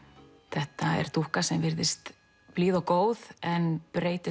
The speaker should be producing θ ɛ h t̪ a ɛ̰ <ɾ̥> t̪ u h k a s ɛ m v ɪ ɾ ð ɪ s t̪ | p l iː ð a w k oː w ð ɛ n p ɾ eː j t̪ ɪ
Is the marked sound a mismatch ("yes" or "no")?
no